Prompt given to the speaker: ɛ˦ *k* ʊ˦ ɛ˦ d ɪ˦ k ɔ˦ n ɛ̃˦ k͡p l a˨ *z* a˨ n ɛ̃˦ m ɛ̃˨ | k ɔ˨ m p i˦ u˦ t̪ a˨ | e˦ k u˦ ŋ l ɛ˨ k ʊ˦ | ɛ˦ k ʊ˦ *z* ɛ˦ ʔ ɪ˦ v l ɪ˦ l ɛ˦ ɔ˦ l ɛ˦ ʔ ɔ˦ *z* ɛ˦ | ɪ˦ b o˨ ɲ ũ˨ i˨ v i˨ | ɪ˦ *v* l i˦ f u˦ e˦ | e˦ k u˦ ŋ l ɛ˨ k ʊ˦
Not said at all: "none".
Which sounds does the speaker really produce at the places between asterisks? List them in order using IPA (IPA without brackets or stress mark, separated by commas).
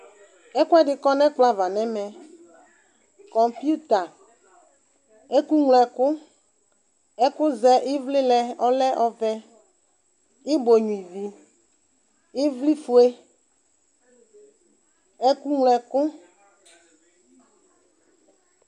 k, v, z, v, v